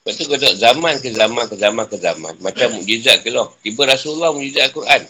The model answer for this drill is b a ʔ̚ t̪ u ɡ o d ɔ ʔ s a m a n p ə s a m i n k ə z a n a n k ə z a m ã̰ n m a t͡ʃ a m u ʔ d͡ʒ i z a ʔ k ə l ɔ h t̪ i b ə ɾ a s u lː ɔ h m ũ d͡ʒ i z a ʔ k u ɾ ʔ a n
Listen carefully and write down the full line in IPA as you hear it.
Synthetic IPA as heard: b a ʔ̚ t̪ u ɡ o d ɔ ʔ z a m a n k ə z a m a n k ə z a m a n k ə z a m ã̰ n m a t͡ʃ a m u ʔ d͡ʒ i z a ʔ k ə l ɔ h t̪ i b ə ɾ a s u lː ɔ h m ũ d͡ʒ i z a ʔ k u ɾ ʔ a n